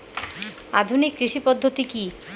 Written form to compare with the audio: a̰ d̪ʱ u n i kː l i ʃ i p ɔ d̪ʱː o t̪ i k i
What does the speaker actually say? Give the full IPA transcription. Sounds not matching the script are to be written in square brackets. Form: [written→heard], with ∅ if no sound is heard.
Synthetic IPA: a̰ d̪ʱ u n i kː [l→ɾ] i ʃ i p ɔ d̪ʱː o t̪ i k i